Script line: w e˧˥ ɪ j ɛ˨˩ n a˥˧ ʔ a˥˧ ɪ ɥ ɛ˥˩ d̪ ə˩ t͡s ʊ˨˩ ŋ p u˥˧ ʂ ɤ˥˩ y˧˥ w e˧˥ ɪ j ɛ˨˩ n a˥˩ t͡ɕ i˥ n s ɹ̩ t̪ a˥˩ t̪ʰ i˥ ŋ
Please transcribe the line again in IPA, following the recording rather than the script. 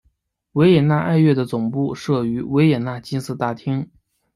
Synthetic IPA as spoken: w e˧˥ ɪ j ɛ˨˩ n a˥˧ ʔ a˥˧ ɪ ɥ ɛ˥˩ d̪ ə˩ t͡s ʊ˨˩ ŋ p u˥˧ ʂ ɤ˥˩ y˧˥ w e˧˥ ɪ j ɛ˨˩ n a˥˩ t͡ɕ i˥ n s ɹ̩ t̪ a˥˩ t̪ʰ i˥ ŋ